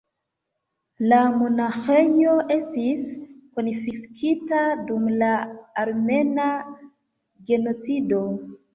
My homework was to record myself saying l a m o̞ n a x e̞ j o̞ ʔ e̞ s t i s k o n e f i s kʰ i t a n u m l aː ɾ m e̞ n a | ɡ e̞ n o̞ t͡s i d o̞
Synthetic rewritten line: l a m o̞ n a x e̞ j o̞ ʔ e̞ s t i s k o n i f i s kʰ i t a d u m l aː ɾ m e̞ n a | ɡ e̞ n o̞ t͡s i d o̞